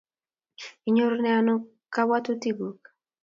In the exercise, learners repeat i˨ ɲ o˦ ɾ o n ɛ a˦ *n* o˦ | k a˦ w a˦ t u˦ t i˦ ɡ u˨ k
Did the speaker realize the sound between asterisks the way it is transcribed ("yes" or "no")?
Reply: yes